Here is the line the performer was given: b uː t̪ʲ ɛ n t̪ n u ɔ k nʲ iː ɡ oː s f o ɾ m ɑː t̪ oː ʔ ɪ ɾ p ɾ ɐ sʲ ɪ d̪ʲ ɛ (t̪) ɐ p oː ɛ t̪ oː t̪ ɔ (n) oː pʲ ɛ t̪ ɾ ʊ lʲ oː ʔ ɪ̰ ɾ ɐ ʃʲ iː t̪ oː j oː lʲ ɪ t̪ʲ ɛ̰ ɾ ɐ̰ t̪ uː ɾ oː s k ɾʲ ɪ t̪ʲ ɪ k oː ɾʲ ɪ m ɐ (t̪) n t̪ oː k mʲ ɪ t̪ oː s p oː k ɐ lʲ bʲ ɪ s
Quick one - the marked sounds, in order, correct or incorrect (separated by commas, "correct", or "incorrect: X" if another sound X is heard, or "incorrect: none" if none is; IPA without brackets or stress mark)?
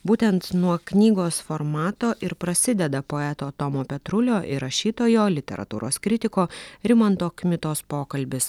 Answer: incorrect: d̪, incorrect: m, incorrect: none